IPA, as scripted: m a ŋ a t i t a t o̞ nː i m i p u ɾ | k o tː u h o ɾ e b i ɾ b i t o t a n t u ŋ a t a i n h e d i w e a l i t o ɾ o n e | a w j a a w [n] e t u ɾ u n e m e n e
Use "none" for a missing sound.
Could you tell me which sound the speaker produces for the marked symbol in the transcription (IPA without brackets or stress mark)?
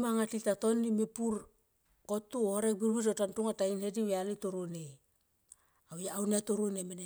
n